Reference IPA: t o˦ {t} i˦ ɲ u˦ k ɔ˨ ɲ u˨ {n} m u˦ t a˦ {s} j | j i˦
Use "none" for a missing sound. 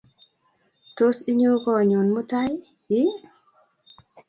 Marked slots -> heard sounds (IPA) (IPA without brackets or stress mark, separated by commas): s, n, none